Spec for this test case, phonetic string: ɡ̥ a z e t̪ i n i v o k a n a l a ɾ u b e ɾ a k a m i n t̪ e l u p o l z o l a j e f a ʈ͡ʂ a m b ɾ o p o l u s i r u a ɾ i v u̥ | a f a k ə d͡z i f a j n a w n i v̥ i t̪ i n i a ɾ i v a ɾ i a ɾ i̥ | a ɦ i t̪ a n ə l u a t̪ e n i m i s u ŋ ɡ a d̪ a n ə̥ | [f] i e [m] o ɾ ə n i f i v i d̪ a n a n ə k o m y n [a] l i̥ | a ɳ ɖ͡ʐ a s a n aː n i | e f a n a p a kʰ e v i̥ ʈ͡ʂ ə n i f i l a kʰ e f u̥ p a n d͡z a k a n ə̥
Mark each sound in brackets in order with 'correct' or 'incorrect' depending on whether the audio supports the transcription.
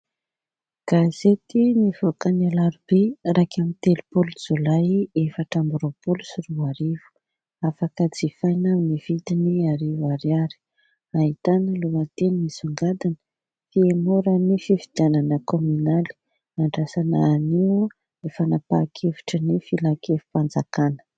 correct, correct, correct

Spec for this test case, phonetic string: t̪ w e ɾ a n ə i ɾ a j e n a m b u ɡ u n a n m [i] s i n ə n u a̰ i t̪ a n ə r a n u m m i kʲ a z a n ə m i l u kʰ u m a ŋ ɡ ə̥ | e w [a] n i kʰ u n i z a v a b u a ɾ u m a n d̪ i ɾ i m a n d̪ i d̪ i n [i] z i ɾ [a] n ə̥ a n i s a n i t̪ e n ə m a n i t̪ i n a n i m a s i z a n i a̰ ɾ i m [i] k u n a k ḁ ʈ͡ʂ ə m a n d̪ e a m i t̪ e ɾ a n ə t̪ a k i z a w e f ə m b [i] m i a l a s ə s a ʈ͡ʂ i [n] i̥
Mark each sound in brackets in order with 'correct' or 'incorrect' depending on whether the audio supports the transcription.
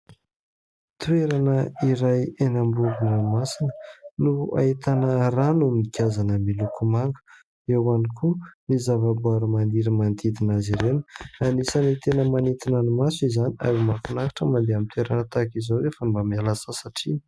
incorrect: a, correct, incorrect: a, incorrect: e, incorrect: a, incorrect: a, correct

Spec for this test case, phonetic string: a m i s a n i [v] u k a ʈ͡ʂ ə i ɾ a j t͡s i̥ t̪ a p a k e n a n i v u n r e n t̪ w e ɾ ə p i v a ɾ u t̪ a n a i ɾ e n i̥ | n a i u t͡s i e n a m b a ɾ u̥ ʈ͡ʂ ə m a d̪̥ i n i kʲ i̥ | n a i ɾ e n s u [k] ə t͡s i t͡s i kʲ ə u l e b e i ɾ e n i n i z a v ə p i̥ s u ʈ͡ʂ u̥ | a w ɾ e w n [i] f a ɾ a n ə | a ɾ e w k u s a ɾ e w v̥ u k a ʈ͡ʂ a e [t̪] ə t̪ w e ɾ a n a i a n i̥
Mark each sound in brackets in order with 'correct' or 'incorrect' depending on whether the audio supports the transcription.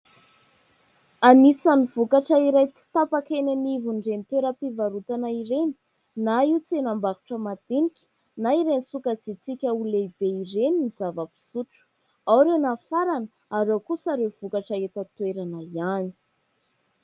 correct, correct, incorrect: a, correct

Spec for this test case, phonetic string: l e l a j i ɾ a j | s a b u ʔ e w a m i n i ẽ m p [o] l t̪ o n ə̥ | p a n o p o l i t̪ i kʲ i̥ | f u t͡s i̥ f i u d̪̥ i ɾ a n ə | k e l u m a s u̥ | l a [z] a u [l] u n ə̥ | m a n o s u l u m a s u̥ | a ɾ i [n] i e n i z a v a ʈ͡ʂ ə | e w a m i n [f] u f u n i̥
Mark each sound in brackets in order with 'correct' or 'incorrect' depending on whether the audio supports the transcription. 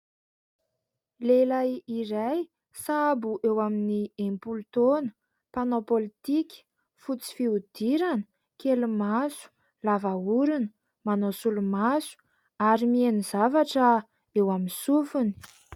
incorrect: u, incorrect: v, incorrect: ɾ, incorrect: m, incorrect: s

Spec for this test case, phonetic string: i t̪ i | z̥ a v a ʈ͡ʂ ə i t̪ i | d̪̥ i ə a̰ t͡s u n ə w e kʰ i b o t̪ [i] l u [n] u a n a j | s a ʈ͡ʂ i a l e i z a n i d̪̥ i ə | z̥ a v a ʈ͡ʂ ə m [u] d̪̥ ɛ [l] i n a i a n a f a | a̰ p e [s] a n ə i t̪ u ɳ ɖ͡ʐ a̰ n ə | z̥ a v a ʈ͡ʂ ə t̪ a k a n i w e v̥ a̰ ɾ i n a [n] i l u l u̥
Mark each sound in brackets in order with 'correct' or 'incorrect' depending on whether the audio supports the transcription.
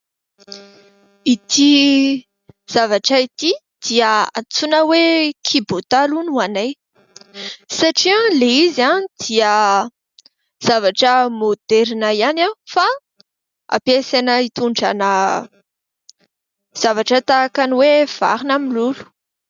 incorrect: a, correct, incorrect: o, incorrect: ɾ, correct, incorrect: m

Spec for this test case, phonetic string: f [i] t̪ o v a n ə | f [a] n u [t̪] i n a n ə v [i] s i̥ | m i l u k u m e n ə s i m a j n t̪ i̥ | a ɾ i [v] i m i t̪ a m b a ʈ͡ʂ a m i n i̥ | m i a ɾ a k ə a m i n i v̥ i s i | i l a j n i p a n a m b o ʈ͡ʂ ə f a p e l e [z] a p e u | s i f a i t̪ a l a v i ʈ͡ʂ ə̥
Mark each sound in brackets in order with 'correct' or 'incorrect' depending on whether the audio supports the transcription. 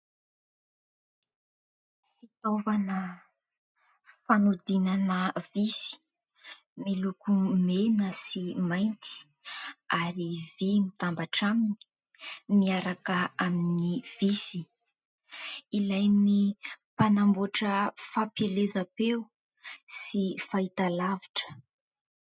correct, correct, incorrect: d̪, correct, correct, correct

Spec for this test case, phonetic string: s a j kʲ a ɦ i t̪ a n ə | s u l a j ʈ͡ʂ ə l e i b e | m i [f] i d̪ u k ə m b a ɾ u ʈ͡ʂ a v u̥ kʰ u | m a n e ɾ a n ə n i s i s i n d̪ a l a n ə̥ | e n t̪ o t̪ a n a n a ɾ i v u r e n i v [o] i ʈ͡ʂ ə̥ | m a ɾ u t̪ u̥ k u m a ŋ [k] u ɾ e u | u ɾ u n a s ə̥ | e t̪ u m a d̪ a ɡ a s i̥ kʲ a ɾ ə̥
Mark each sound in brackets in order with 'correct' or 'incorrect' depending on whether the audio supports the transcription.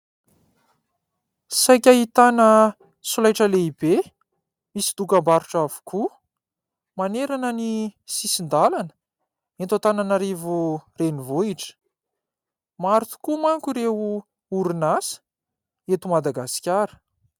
incorrect: s, correct, correct

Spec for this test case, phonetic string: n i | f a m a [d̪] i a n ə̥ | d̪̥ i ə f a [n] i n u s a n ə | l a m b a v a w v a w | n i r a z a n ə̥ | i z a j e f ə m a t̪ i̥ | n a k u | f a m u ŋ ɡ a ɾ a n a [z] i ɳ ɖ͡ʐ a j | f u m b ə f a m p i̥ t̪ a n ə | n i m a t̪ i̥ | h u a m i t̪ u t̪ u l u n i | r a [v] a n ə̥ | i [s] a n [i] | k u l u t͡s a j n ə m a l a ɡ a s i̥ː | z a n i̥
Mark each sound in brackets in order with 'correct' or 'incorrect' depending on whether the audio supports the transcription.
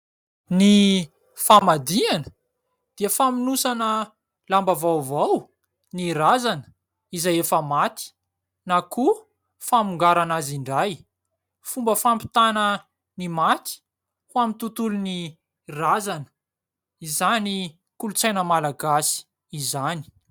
correct, incorrect: m, correct, incorrect: z, incorrect: z, correct

